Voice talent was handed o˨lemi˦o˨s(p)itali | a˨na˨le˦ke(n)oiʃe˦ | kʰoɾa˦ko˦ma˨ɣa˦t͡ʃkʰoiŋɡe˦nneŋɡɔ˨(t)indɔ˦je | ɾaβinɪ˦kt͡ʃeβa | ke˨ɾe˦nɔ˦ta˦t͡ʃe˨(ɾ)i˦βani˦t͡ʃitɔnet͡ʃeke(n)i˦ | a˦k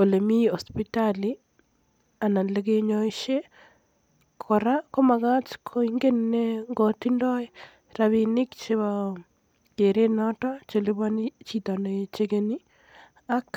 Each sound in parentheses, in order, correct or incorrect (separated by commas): correct, incorrect, correct, incorrect, correct